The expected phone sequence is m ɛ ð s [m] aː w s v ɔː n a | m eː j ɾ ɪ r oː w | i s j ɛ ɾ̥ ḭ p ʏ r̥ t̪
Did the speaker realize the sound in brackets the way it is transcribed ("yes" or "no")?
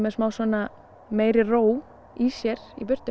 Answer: yes